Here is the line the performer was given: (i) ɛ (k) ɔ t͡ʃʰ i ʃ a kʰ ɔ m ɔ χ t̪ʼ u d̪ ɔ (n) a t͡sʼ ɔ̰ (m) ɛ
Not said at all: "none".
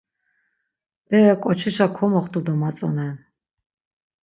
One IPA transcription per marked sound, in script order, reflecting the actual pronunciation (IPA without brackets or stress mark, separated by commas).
ɛ, kʼ, m, n